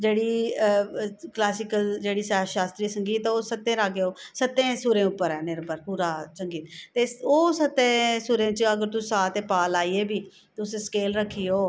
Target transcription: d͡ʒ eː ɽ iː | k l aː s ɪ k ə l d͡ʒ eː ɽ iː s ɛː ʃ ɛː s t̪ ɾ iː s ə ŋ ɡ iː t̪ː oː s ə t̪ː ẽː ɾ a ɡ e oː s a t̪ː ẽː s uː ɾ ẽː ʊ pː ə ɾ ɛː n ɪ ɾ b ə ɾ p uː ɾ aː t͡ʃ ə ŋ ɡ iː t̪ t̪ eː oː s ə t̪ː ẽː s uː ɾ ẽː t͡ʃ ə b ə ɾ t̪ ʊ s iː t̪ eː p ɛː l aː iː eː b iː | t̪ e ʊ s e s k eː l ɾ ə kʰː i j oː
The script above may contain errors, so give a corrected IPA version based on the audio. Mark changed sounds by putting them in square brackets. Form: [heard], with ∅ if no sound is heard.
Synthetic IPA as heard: d͡ʒ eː ɽ iː | k l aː s ɪ k ə l d͡ʒ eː ɽ iː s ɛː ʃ [aː] s t̪ ɾ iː s ə ŋ ɡ iː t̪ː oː s ə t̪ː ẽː ɾ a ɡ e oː s [ə] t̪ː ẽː s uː ɾ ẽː ʊ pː ə ɾ ɛː n ɪ ɾ b ə ɾ p uː ɾ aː t͡ʃ ə ŋ ɡ iː t̪ t̪ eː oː s ə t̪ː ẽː s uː ɾ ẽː t͡ʃ ə [ɡ] ə ɾ t̪ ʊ s [aː] t̪ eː p [aː] l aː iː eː b iː | t̪ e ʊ s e s k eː l ɾ ə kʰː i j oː

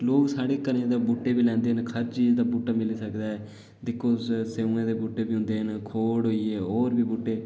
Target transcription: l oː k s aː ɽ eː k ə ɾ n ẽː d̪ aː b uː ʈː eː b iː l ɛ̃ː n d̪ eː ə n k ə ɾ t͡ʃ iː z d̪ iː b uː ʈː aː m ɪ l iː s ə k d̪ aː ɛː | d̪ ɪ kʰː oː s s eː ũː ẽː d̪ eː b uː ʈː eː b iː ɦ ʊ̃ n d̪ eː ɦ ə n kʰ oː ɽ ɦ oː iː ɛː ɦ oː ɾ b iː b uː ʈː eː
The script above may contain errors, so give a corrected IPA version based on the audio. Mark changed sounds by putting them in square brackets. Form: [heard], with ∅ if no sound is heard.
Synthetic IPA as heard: l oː k s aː ɽ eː k ə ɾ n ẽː d̪ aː b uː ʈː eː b iː l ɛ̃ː n d̪ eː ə n [kʰ] ə ɾ t͡ʃ iː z d̪ [aː] b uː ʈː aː m ɪ l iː s ə k d̪ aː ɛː | d̪ ɪ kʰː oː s s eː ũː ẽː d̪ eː b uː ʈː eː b iː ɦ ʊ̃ n d̪ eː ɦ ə n kʰ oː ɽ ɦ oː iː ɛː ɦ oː ɾ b iː b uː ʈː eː

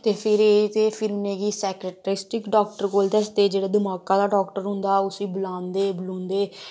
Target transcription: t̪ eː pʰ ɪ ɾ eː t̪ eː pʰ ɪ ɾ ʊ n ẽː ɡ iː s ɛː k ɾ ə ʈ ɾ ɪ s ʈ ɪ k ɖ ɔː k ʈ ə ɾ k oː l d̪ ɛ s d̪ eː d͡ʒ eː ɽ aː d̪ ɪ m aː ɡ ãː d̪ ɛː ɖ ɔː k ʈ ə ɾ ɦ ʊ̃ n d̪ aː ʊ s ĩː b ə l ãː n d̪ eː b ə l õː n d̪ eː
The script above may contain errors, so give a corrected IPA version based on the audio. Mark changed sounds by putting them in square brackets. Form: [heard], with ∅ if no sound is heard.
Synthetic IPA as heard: t̪ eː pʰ ɪ ɾ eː t̪ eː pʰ ɪ ɾ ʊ n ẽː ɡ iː s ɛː k ɾ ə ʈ ɾ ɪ s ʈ ɪ k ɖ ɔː k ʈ ə ɾ k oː l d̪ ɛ s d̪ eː d͡ʒ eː ɽ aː d̪ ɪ m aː [k] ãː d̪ [aː] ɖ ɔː k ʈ ə ɾ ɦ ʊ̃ n d̪ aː ʊ s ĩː b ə l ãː n d̪ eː b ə l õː n d̪ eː

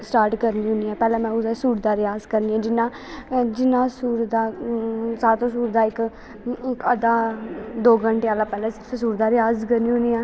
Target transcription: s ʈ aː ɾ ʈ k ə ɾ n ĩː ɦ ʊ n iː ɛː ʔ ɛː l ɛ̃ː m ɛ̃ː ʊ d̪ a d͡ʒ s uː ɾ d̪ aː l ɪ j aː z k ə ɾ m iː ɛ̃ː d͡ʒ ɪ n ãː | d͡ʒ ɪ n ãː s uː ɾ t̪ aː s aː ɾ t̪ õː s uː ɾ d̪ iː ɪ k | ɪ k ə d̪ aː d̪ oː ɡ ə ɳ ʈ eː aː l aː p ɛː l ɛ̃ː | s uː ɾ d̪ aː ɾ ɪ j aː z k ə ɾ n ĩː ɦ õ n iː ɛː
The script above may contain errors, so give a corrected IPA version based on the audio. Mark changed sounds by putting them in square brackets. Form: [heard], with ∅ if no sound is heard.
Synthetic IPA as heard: s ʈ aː ɾ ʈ k ə ɾ n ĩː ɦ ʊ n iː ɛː [p] ɛː l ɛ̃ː m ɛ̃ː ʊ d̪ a [∅] s uː ɾ d̪ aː [ɾ] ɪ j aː z k ə ɾ [n] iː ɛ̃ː d͡ʒ ɪ n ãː | d͡ʒ ɪ n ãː s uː ɾ [d̪] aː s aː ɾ t̪ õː s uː ɾ d̪ [aː] ɪ k | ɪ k ə d̪ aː d̪ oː ɡ ə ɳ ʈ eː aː l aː p ɛː l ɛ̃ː | s uː ɾ d̪ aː ɾ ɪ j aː z k ə ɾ n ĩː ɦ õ n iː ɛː

